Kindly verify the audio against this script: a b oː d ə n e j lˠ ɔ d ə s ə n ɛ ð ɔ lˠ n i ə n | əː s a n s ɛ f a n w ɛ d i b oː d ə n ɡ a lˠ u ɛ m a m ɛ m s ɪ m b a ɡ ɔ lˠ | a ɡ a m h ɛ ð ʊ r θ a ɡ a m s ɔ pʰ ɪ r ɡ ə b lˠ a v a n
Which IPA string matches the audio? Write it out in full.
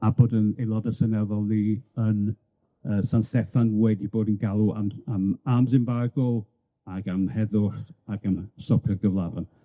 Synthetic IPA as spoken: a b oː d ə n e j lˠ ɔ d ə s ə n ɛ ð ɔ lˠ n i ə n | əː s a n s ɛ f a n w ɛ d i b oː d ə n ɡ a lˠ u a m a m a m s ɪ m b a ɡ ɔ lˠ | a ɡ a m h ɛ ð ʊ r θ a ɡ a m s ɔ pʰ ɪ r ɡ ə v lˠ a v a n

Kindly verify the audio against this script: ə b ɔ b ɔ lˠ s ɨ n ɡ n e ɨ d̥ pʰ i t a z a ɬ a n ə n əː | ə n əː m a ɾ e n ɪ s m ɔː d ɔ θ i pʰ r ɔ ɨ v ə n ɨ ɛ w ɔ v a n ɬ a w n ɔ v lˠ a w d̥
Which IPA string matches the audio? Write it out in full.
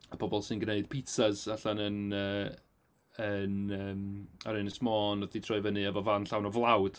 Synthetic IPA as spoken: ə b ɔ b ɔ lˠ s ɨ n ɡ n e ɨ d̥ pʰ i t a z a ɬ a n ə n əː | ə n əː m a ɾ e n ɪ s m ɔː n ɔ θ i tʰ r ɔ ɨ v ə n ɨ ɛ v ɔ v a n ɬ a w n ɔ v lˠ a w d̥

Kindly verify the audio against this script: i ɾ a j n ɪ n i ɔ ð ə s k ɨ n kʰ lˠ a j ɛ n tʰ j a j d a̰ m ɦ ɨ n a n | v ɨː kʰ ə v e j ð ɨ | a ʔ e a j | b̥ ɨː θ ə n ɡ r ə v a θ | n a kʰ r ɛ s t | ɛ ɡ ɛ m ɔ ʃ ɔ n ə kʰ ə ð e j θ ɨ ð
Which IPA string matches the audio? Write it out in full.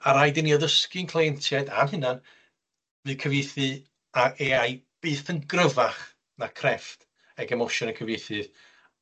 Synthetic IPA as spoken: a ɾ a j d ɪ n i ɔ ð ə s k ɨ n kʰ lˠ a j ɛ n tʰ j a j d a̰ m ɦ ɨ n a n | v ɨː kʰ ə v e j θ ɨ | a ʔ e a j | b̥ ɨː θ ə n ɡ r ə v a χ | n a kʰ r ɛ f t | ɛ ɡ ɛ m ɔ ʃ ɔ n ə kʰ ə v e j θ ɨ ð

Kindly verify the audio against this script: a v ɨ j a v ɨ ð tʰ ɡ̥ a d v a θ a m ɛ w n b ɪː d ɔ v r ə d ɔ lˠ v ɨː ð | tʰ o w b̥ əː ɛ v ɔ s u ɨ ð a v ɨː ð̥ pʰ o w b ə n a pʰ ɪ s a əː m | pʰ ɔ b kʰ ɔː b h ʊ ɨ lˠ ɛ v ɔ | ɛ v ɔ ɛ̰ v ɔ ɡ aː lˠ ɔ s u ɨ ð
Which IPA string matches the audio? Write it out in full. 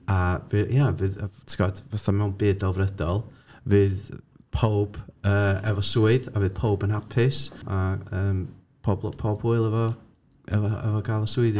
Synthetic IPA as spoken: a v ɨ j a v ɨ ð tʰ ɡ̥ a d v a θ a m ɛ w n b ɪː d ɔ v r ə d ɔ lˠ v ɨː ð | pʰ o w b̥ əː ɛ v ɔ s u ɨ ð a v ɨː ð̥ pʰ o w b ə n a pʰ ɪ s a əː m | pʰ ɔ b pʰ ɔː b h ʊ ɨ lˠ ɛ v ɔ | ɛ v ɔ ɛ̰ v ɔ ɡ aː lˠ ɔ s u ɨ ð

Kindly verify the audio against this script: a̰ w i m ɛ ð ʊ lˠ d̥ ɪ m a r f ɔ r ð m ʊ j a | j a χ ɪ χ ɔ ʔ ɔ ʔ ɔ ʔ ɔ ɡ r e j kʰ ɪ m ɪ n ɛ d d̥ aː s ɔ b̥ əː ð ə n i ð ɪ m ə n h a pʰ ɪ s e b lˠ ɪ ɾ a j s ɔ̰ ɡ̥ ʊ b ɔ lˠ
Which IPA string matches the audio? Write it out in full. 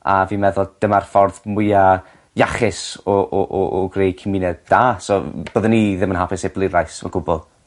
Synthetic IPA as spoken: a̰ v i m ɛ ð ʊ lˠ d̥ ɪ m a r f ɔ r ð m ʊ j a | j a χ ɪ s ɔ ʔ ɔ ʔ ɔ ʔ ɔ ɡ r e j kʰ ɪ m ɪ n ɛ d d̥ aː s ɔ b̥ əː ð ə n i ð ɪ m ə n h a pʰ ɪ s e b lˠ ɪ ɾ a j s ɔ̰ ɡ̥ ʊ b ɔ lˠ

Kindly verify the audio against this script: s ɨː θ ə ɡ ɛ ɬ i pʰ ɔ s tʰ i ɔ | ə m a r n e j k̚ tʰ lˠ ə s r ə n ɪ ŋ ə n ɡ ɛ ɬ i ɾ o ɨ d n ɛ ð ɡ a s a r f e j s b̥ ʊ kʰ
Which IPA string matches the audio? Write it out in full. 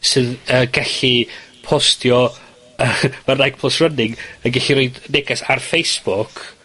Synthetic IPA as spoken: s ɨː ð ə ɡ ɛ ɬ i pʰ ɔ s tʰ j ɔ | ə m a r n a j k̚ pʰ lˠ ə s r ə n ɪ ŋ ə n ɡ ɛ ɬ i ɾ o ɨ d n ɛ ɡ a s a r f e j s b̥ ʊ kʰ

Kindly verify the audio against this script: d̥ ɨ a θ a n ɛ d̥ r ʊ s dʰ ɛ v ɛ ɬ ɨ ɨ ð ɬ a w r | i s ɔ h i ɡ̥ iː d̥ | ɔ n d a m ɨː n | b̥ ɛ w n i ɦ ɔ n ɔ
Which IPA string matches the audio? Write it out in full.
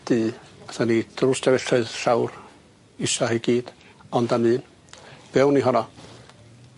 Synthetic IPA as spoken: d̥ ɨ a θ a n i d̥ r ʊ s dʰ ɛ v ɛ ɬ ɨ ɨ ð ɬ a w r | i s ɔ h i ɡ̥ iː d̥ | ɔ n d a m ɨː n | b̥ ɛ w n i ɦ ɔ n ɔ

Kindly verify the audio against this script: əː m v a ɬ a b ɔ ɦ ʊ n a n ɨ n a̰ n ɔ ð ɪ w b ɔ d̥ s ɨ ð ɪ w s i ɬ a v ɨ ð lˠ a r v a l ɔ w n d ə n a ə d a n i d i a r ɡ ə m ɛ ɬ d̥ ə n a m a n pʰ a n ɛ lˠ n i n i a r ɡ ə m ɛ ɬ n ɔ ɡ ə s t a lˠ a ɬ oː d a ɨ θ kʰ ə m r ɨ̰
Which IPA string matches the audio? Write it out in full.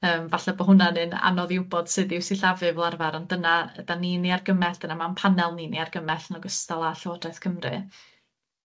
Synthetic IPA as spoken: əː m v a ɬ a b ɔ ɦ ʊ n a n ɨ n a̰ n ɔ ð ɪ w b ɔ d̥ s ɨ ð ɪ w s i ɬ a v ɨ v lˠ a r v a ɾ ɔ n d ə n a ə d a n i n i a r ɡ ə m ɛ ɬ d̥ ə n a m a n pʰ a n ɛ lˠ n i n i a r ɡ ə m ɛ ɬ n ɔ ɡ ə s t a lˠ a ɬ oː d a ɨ θ kʰ ə m r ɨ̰

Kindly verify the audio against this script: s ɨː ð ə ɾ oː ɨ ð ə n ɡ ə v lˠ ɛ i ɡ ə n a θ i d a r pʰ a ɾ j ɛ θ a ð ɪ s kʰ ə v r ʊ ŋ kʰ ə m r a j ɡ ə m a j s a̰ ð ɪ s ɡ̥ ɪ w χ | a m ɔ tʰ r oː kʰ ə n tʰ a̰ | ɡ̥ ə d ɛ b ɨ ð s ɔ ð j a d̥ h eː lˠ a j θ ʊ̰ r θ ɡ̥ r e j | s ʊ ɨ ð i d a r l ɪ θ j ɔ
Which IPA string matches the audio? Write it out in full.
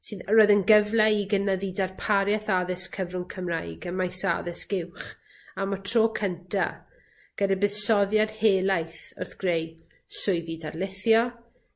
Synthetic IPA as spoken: s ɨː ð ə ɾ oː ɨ ð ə n ɡ ə v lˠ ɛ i ɡ ə n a ð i d a r pʰ a ɾ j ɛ θ a ð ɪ s kʰ ə v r ʊ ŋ kʰ ə m r a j ɡ ə m a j s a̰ ð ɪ s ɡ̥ ɪ w χ | a m ɔ tʰ r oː kʰ ə n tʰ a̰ | ɡ̥ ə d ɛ b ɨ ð s ɔ ð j a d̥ h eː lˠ a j θ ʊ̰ r θ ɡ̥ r e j | s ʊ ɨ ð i d a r l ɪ θ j ɔ

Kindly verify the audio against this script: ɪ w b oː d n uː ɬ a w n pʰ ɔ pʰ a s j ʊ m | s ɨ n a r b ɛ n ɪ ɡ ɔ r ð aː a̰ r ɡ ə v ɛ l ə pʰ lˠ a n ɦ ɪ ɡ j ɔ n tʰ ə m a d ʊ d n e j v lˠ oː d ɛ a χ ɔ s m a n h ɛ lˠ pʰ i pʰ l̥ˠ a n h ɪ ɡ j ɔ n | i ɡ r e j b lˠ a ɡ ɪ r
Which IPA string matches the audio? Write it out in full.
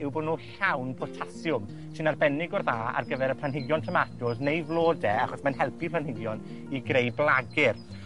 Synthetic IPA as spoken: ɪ w b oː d n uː ɬ a w n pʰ ɔ tʰ a s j ʊ m | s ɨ n a r b ɛ n ɪ ɡ ɔ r ð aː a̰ r ɡ ə v ɛ ɾ ə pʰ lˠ a n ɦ ɪ ɡ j ɔ n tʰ ə m a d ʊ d n e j v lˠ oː d ɛ a χ ɔ s m a n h ɛ lˠ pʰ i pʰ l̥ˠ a n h ɪ ɡ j ɔ n | i ɡ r e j b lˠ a ɡ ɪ r

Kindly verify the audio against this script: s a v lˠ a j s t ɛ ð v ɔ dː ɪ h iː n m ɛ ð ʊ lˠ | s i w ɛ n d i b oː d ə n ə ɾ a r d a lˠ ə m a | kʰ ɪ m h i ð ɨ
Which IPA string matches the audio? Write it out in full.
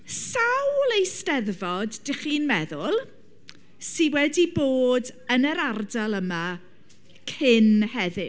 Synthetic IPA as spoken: s a w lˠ e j s t ɛ ð v ɔ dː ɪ χ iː n m ɛ ð ʊ lˠ | s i w ɛ d i b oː d ə n ə ɾ a r d a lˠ ə m a | kʰ ɪ n h ɛ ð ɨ

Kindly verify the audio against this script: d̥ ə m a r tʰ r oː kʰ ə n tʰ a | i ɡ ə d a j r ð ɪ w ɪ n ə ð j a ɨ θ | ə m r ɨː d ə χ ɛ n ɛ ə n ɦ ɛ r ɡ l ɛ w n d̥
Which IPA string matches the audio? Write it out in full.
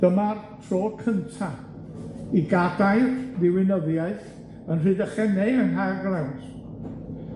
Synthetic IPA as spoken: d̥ ə m a r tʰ r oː kʰ ə n tʰ a | i ɡ a d a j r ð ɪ w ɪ n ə ð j a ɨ θ | ə n r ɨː d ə χ ɛ n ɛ ə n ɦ a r ɡ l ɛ w n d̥

